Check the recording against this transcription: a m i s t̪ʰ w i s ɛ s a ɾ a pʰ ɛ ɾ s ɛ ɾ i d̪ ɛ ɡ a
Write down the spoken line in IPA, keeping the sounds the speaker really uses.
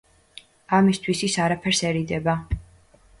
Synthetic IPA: a m i s t̪ʰ w i s i s a ɾ a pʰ ɛ ɾ s ɛ ɾ i d̪ ɛ b a